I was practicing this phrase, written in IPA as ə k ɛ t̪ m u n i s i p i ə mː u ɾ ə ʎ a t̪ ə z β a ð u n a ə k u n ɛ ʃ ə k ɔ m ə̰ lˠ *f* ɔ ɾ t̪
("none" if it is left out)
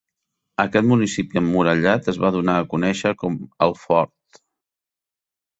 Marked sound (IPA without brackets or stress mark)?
f